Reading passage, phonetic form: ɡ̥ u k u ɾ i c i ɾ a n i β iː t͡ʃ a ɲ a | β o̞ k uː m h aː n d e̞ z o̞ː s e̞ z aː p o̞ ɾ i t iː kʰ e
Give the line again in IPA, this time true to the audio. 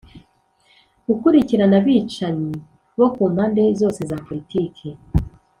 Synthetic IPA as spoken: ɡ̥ u k u ɾ i c i ɾ a n a β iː t͡ʃ a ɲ i | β o̞ k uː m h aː n d e̞ z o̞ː s e̞ z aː p o̞ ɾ i t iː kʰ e